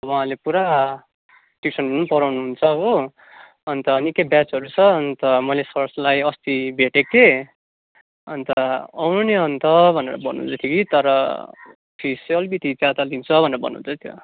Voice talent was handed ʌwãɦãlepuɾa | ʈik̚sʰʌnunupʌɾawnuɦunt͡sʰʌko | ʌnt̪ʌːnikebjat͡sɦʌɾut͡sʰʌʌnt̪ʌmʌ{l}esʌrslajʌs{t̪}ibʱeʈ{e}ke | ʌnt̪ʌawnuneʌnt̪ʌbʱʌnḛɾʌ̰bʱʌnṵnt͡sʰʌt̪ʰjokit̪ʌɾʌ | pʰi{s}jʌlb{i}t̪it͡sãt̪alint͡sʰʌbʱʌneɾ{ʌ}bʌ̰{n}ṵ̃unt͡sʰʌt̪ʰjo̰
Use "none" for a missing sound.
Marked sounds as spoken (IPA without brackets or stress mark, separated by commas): l, t̪, e, s, i, ʌ, n